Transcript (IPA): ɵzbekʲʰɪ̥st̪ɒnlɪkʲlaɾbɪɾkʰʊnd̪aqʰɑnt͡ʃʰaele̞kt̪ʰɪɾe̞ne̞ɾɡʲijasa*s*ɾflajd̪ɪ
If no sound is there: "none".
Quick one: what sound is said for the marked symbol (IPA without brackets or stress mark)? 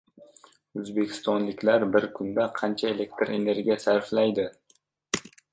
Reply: none